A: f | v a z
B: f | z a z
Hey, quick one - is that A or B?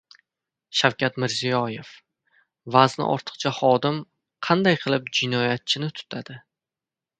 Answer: A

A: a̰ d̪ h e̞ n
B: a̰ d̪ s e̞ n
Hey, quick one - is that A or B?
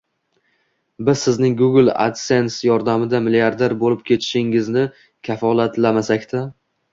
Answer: B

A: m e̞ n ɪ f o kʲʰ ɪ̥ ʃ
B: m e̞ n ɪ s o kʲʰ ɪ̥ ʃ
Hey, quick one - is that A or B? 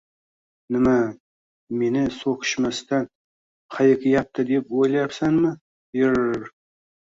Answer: B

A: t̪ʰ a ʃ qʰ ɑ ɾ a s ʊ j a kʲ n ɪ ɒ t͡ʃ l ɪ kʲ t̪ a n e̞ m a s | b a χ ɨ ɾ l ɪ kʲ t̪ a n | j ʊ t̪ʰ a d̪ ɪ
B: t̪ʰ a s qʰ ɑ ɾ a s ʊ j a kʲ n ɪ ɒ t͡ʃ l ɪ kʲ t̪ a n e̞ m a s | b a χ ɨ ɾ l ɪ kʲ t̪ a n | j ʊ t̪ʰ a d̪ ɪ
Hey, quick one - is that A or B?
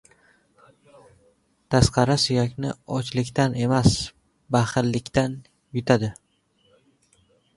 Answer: B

